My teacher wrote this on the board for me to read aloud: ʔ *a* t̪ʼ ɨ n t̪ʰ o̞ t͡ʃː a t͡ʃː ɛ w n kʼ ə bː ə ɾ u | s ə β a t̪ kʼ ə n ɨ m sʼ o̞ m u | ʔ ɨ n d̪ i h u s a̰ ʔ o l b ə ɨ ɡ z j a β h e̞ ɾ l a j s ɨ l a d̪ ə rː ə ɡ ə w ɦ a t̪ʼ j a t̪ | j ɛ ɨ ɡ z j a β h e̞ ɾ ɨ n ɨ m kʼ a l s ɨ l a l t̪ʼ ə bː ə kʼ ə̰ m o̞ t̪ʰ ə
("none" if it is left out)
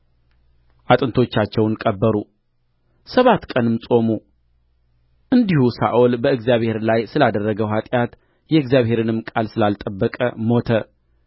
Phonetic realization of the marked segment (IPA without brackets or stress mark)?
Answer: a